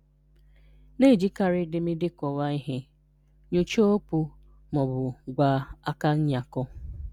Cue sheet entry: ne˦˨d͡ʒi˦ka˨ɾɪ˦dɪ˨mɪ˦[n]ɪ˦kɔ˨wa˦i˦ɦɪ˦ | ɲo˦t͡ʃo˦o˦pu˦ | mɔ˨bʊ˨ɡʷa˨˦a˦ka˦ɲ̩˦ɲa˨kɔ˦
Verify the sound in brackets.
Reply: incorrect: d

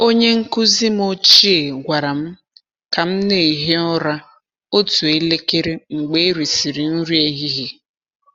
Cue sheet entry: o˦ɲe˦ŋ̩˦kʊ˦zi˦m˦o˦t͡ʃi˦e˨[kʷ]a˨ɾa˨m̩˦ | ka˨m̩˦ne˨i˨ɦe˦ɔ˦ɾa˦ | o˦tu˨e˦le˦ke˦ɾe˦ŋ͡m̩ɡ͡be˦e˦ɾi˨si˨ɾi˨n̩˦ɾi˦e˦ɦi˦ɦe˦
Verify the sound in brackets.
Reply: incorrect: ɡʷ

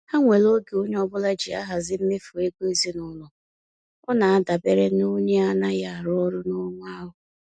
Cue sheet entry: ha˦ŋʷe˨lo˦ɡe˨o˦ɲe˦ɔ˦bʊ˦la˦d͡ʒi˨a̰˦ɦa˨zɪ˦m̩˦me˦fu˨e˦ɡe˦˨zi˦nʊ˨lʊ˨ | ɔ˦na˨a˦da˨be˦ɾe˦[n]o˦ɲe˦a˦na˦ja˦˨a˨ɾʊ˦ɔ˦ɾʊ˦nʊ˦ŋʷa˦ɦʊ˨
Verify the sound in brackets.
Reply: correct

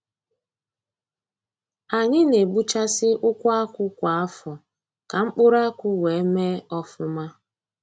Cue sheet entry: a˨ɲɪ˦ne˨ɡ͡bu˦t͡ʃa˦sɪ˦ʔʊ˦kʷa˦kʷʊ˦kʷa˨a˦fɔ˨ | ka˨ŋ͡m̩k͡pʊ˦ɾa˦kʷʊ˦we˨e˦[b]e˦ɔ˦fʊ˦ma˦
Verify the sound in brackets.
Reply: incorrect: m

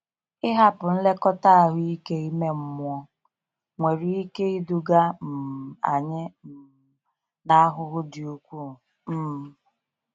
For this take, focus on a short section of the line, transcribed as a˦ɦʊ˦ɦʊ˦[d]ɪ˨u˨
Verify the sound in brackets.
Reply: correct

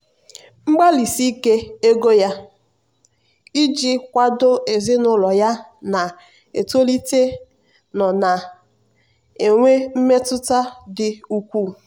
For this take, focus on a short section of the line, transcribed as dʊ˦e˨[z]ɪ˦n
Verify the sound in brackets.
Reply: correct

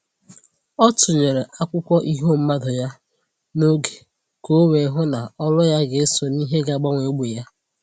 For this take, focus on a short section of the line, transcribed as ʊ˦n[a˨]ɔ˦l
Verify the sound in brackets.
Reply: correct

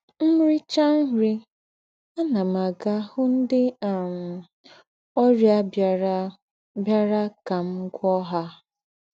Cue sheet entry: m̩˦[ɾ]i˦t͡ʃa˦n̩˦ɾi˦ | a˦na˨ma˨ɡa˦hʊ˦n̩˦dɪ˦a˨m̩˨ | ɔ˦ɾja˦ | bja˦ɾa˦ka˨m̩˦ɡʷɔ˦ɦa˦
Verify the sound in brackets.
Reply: correct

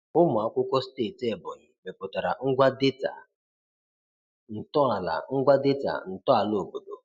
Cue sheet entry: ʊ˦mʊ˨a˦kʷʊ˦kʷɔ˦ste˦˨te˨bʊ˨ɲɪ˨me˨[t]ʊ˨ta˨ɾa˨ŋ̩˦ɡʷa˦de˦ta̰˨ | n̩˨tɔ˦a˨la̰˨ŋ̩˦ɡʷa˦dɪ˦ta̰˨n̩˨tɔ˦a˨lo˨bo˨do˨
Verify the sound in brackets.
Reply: incorrect: p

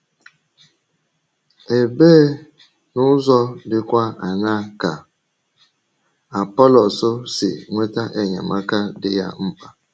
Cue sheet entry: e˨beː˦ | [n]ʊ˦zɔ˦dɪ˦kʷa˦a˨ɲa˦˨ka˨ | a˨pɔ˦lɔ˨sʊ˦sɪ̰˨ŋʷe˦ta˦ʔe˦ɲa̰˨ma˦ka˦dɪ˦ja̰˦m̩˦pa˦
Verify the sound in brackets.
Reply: correct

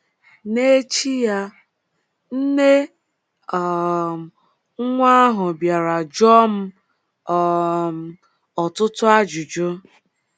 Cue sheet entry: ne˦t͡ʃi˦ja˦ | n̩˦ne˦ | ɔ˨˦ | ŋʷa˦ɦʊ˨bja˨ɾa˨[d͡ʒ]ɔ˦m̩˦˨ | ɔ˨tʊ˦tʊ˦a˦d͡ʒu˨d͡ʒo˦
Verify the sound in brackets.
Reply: correct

